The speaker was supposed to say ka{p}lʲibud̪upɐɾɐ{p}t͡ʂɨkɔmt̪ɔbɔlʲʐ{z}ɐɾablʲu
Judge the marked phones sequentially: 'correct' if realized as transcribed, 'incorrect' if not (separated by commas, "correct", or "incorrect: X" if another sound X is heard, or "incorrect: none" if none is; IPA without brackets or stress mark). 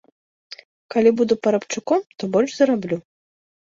incorrect: none, correct, correct